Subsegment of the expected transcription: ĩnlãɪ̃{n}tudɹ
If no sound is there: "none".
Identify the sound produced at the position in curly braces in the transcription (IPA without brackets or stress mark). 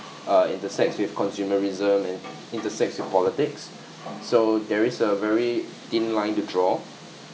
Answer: n